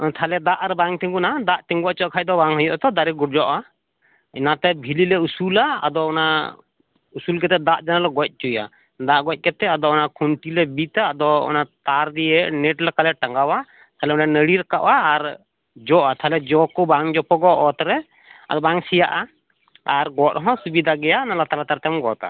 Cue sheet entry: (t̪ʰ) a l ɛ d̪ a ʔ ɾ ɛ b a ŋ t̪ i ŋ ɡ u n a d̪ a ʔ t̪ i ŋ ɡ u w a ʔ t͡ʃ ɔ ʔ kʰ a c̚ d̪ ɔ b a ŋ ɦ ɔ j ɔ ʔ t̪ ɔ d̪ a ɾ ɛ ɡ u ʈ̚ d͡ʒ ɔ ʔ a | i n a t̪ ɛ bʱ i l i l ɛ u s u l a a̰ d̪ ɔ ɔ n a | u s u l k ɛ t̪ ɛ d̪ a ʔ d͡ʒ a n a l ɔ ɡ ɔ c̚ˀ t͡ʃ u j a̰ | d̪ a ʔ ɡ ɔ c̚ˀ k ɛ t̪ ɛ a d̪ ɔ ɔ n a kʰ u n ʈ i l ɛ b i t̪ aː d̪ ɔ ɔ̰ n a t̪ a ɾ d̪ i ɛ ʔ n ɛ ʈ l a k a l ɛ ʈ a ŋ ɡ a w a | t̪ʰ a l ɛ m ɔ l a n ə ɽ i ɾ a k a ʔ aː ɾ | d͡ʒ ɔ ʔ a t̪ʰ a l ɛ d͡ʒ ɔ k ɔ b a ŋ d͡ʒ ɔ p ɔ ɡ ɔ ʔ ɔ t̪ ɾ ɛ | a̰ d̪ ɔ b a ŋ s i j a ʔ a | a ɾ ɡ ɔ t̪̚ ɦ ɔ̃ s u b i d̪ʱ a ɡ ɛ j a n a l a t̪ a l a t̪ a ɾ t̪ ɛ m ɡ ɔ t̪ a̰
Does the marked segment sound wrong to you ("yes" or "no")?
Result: no